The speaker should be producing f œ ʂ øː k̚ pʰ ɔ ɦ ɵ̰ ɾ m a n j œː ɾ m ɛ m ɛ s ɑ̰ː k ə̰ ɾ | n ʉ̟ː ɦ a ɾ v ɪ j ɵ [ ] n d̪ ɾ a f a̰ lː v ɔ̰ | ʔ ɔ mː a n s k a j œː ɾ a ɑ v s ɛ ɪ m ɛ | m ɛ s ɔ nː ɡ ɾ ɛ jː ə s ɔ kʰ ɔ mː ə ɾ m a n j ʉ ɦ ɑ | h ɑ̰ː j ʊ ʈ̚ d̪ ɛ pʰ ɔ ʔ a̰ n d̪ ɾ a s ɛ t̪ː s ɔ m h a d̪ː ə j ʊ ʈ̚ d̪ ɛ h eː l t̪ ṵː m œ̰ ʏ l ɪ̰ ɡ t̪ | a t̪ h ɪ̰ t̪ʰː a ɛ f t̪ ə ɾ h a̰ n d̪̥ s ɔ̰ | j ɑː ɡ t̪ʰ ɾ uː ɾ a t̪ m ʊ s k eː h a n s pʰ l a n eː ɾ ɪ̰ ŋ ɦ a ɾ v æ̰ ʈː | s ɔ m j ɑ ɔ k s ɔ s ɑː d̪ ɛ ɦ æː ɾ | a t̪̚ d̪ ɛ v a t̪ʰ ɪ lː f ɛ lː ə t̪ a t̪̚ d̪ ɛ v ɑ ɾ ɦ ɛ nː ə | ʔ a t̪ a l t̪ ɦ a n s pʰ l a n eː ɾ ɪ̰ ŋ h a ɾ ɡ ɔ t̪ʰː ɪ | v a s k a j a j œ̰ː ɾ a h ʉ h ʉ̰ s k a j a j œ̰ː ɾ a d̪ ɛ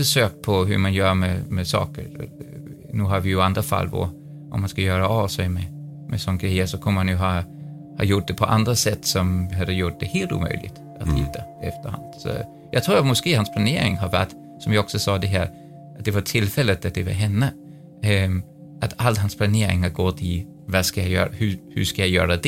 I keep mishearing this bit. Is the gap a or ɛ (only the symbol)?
a